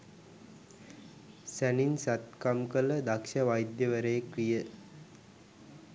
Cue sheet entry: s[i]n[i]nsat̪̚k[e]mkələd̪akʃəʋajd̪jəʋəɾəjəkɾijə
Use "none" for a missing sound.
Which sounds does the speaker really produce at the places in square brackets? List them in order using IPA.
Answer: æ, i, a

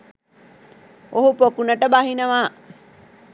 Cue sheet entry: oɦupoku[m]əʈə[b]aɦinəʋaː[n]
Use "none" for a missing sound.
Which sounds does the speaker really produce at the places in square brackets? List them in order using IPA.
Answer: n, b, none

